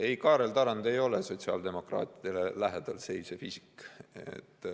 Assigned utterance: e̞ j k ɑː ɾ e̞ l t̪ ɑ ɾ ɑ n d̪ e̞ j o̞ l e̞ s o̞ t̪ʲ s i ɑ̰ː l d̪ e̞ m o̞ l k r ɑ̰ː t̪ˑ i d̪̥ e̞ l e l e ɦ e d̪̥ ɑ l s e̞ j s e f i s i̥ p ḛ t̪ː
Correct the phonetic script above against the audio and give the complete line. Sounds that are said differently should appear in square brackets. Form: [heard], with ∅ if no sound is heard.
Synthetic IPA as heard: e̞ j k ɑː ɾ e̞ l t̪ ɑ ɾ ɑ n d̪ e̞ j o̞ l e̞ s o̞ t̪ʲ s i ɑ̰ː l d̪ e̞ m o̞ [∅] k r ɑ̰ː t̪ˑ i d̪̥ e̞ l e l [æ] ɦ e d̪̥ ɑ l s e̞ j s e f i s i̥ [k] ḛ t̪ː